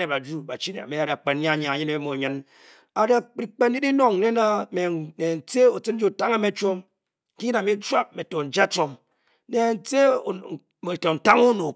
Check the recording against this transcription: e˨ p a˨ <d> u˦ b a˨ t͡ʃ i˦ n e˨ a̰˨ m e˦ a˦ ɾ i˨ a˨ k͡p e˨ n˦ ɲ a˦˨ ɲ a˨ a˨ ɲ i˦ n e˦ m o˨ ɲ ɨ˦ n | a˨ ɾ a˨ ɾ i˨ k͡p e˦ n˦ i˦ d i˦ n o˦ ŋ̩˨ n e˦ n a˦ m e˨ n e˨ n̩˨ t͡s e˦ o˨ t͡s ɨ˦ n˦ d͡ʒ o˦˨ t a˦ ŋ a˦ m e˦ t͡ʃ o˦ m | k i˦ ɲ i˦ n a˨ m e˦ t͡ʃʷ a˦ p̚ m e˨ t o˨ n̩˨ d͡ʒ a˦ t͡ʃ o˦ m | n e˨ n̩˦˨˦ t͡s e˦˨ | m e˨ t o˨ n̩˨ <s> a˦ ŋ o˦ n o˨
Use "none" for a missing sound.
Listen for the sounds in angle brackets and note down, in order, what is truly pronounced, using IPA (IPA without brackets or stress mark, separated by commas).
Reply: d͡ʒ, t